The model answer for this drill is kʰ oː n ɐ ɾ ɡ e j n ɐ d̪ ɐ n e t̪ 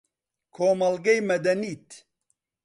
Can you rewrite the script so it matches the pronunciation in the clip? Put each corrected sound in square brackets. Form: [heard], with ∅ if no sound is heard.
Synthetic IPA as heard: kʰ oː [m] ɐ [l] ɡ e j [m] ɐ d̪ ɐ n [i] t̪